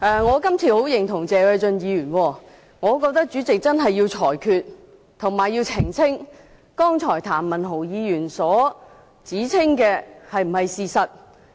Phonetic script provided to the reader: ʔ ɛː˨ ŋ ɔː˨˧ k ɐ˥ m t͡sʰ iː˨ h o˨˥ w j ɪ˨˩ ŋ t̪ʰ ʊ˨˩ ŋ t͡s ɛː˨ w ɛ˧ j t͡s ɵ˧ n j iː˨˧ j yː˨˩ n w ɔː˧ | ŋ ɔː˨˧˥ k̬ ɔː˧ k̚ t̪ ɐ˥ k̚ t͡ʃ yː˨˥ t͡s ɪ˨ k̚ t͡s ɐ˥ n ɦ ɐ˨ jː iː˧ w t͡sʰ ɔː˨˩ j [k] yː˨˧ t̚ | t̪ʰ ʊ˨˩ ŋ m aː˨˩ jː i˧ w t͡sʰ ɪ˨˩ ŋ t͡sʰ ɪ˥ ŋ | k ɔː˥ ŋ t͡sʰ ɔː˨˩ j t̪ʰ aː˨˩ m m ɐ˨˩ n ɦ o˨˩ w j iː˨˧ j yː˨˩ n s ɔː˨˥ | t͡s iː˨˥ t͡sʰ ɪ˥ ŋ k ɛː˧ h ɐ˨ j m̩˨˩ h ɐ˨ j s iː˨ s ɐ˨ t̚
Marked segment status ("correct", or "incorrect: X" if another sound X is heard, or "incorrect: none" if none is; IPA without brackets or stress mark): incorrect: kʰ